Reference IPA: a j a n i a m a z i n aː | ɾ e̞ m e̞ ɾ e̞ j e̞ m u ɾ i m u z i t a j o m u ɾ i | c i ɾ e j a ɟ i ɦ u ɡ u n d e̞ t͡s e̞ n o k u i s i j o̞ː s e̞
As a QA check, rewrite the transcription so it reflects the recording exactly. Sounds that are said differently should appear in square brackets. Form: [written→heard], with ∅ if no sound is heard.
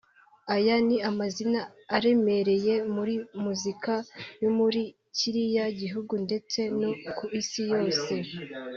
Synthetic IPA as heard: a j a n i a m a z i n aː | ɾ e̞ m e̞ ɾ e̞ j e̞ m u ɾ i m u z i [t→k] a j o m u ɾ i | c i ɾ [e→i] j a ɟ i ɦ u ɡ u n d e̞ t͡s e̞ n o k u i s i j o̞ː s e̞

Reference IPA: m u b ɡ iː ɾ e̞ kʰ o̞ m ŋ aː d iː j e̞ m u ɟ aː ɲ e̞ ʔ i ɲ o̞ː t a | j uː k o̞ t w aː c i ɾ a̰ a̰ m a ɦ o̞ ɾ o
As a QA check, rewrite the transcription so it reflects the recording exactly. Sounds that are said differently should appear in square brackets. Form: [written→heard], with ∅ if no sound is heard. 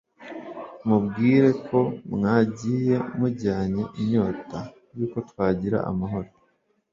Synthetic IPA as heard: m u b ɡ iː ɾ e̞ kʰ o̞ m ŋ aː [d→ɟ] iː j e̞ m u ɟ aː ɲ e̞ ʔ i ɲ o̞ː t a | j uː k o̞ t w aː [c→ɟ] i ɾ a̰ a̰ m a ɦ o̞ ɾ o

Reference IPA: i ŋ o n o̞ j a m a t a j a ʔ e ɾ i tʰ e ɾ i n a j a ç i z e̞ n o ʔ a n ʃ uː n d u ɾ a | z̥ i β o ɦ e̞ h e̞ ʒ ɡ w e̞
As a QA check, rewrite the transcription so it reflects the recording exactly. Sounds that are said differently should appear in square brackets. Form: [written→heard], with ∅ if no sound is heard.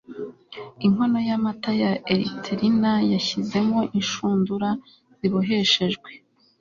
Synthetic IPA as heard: i ŋ o n o̞ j a m a t a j a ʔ e ɾ i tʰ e ɾ i n a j a ç i z e̞ [n→m] o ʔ [a→i] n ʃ uː n d u ɾ a | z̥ i β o ɦ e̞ [h→ʃ] e̞ ʒ ɡ w e̞

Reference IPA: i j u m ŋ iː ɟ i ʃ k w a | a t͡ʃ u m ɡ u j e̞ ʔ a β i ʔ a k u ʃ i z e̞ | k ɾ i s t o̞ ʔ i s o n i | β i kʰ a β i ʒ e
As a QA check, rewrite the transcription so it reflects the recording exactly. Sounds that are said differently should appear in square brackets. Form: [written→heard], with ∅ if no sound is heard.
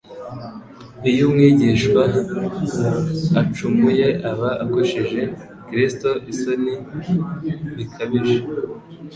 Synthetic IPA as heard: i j u m ŋ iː ɟ i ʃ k w a | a t͡ʃ u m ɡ u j e̞ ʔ a β [i→a] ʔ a k [u→o] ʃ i [z→ʒ] e̞ | k ɾ i s t o̞ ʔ i s o n i | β i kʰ a β i ʒ e

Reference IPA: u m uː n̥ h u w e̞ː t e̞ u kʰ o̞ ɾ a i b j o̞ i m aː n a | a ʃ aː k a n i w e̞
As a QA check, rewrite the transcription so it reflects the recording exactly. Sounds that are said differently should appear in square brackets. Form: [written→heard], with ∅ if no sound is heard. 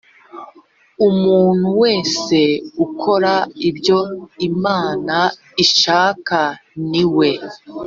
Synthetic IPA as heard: u m uː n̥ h u w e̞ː [t→s] e̞ u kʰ o̞ ɾ a i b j o̞ i m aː n a | [a→i] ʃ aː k a n i w e̞

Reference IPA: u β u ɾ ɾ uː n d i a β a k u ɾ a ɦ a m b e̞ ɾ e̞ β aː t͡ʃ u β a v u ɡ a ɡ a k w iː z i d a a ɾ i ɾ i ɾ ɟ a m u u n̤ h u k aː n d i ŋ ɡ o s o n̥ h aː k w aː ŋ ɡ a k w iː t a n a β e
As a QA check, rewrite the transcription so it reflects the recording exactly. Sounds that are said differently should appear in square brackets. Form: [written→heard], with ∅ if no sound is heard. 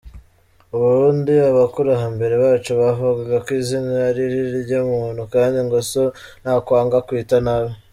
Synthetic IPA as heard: u β u ɾ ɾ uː n d i a β a k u ɾ a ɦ a m b e̞ ɾ e̞ β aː t͡ʃ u β a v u ɡ a ɡ a k w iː z i [d→n] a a ɾ i ɾ i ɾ ɟ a m u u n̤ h u k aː n d i ŋ ɡ o s o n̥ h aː k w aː ŋ ɡ a k w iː t a n a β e

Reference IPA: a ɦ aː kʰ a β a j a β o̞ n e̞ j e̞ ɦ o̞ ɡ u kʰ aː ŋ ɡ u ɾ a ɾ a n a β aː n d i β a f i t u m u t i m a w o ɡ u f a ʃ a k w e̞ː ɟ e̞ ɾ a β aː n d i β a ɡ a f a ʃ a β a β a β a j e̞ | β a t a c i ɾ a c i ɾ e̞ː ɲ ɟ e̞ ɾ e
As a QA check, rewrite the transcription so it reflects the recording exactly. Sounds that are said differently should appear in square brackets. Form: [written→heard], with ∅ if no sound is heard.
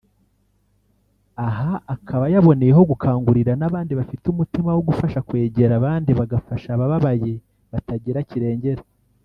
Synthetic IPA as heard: a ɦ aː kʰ a β a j a β o̞ n e̞ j e̞ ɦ o̞ ɡ u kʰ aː ŋ ɡ u ɾ [a→i] ɾ a n a β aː n d i β a f i t u m u t i m a w o ɡ u f a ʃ a k w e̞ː ɟ e̞ ɾ a β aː n d i β a ɡ a f a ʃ a β a β a β a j e̞ | β a t a [c→ɟ] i ɾ a c i ɾ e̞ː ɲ ɟ e̞ ɾ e

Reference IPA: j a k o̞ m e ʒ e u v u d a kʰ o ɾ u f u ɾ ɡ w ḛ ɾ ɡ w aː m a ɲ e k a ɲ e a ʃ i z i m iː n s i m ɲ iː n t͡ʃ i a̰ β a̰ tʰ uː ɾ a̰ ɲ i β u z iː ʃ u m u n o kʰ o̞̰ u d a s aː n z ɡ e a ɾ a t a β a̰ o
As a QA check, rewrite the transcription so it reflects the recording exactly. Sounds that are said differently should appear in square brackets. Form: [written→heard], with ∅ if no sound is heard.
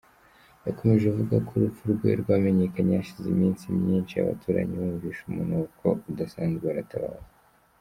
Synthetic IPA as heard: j a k o̞ m e ʒ e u v u [d→ɡ] a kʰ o ɾ u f u ɾ ɡ w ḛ ɾ ɡ w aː m [a→e] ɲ e k a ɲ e a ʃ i z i m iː n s i m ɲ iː n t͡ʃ i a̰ β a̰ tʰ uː ɾ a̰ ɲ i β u [z→v] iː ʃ u m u n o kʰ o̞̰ u d a s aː n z ɡ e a ɾ a t a β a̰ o

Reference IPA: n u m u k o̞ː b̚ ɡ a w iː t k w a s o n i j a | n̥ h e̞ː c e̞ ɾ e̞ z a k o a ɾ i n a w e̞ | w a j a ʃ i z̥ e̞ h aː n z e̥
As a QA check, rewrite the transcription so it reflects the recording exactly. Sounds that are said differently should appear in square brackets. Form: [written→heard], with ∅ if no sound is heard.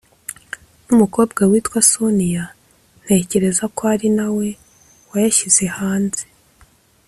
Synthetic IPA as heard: n u m u k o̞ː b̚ ɡ a w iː t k w a s o n i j a | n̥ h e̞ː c e̞ ɾ e̞ z a k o a ɾ i n a w e̞ | w a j a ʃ i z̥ e̞ h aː n z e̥

